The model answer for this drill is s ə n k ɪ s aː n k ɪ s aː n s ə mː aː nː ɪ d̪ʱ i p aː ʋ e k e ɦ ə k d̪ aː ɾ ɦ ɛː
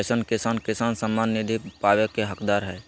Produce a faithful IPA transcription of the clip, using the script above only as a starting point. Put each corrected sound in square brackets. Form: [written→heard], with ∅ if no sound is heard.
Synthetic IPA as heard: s ə n k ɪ s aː n k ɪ s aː n s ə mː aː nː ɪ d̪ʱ i p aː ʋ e k e ɦ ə k d̪ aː ɾ ɦ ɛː